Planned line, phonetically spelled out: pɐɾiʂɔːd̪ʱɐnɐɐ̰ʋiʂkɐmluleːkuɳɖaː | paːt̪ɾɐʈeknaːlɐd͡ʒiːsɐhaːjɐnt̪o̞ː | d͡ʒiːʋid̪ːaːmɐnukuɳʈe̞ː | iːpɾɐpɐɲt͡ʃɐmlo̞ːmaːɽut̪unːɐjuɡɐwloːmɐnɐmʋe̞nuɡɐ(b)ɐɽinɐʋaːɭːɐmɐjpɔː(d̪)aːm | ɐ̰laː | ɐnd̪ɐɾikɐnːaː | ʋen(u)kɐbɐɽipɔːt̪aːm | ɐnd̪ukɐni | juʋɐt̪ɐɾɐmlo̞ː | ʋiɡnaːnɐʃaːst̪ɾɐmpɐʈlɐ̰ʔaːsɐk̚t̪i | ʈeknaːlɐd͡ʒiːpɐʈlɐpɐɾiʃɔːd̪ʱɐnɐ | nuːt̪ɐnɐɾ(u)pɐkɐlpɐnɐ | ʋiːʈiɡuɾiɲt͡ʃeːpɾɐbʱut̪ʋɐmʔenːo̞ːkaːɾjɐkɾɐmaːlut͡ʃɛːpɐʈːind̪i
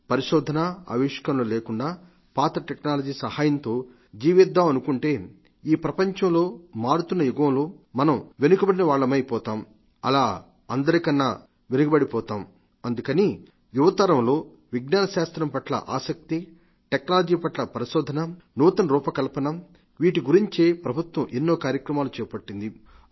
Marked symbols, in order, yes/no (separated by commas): yes, no, yes, no